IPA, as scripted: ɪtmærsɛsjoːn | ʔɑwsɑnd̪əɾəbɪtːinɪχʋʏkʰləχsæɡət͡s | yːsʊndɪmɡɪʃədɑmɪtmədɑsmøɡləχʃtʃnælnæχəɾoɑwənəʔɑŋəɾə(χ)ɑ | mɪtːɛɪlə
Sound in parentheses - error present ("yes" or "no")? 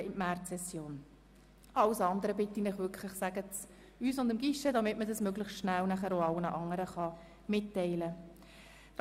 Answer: no